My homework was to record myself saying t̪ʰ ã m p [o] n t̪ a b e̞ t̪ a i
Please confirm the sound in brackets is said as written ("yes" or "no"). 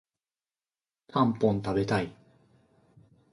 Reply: no